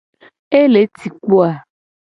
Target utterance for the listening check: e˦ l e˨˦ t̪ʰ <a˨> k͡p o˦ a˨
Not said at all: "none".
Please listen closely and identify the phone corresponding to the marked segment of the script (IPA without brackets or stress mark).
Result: i˨